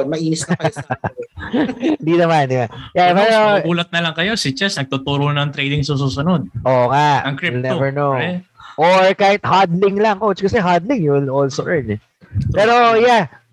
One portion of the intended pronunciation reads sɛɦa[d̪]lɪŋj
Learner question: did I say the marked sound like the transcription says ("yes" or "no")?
yes